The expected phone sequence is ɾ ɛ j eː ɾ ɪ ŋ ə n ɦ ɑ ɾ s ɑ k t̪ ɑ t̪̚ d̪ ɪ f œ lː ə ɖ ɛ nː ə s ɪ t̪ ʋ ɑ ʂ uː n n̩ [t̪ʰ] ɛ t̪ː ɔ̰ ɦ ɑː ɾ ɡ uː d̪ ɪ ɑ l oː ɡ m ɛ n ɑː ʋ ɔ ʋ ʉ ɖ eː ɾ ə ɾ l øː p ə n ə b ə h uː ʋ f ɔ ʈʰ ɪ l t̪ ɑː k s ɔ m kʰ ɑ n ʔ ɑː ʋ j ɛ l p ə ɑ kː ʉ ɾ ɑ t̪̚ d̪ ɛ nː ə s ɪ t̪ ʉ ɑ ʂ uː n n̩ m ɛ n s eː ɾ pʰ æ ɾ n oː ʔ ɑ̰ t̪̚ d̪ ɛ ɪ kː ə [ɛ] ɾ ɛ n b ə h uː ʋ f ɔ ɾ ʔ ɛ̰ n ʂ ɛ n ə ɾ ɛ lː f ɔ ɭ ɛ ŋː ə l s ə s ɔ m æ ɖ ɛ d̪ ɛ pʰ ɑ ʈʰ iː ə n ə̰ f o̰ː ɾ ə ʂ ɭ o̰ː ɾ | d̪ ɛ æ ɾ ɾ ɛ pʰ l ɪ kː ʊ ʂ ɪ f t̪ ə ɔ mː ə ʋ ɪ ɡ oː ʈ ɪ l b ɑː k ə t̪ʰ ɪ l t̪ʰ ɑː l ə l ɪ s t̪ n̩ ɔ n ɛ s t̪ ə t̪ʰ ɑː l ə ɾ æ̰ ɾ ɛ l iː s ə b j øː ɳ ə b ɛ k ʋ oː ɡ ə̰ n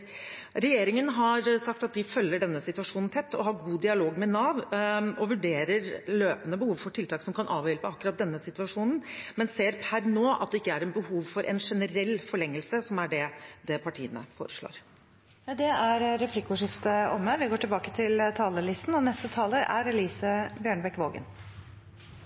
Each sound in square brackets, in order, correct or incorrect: correct, incorrect

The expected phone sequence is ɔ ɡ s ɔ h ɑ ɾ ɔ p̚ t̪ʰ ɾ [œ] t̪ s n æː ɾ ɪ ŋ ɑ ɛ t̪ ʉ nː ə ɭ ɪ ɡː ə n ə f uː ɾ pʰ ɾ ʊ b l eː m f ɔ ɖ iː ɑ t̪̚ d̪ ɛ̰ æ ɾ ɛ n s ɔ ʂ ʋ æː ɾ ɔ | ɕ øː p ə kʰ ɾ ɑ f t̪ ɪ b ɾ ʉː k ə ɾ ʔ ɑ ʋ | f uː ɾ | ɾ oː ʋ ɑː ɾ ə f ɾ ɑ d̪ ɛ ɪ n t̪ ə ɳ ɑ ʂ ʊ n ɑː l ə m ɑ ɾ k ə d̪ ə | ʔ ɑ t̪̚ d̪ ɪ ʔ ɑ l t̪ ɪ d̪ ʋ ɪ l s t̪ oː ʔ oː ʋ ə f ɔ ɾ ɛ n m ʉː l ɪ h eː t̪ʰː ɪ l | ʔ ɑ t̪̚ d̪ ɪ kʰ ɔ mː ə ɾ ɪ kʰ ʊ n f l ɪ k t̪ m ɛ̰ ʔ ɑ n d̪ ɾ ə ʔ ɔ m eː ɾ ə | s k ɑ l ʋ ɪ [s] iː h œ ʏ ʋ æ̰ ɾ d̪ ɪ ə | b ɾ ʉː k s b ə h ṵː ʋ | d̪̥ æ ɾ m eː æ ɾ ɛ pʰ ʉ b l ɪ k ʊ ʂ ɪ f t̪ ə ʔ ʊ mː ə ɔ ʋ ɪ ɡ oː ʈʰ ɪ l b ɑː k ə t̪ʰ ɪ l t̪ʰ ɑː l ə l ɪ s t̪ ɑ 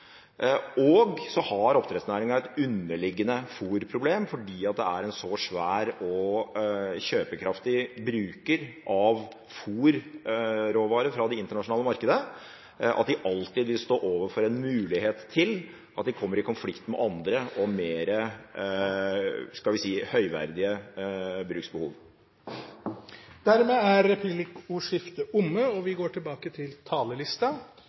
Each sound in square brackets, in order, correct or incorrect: incorrect, correct

